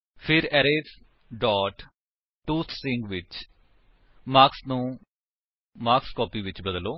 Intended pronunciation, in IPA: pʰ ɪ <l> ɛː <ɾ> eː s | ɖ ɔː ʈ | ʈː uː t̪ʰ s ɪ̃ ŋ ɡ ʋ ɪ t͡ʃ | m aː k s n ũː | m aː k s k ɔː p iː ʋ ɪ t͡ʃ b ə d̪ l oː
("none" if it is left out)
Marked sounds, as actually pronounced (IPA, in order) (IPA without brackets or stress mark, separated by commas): ɾ, ɾ